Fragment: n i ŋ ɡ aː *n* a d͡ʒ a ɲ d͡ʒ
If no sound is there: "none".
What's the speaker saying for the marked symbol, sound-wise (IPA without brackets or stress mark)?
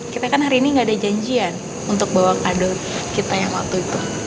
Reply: d